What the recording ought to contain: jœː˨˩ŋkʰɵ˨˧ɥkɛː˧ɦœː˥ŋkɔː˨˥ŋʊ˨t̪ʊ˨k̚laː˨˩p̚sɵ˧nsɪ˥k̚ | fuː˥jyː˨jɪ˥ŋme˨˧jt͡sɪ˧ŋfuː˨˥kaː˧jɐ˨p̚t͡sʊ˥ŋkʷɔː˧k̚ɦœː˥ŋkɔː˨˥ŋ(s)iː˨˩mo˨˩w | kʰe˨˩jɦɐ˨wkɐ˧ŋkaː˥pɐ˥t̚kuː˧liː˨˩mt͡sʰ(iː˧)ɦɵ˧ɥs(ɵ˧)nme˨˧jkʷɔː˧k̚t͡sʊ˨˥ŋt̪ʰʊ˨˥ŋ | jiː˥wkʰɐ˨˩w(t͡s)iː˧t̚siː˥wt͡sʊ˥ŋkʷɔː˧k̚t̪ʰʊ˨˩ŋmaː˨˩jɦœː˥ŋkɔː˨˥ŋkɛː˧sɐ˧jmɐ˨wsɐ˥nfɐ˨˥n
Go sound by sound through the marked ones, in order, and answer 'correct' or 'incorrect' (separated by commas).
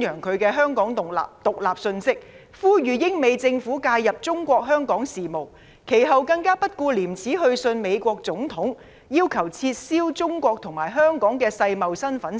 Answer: correct, incorrect, correct, incorrect